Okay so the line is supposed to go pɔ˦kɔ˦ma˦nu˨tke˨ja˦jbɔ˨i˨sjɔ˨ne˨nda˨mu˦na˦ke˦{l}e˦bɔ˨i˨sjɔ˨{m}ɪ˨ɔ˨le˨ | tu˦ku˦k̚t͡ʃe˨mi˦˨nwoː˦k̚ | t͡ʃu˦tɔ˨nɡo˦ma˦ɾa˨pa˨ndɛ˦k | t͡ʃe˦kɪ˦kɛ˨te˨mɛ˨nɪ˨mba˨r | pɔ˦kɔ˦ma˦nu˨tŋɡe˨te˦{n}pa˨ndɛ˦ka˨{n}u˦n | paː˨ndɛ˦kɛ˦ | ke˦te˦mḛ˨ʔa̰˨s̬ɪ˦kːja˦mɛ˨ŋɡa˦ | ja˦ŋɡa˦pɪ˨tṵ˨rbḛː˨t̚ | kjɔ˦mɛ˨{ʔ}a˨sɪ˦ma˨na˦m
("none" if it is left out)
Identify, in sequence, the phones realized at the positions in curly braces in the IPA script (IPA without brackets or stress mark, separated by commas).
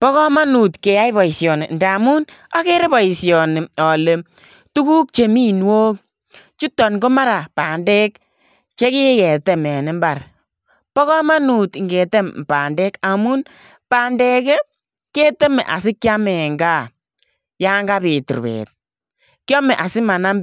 ɾ, n, m, m, ʔ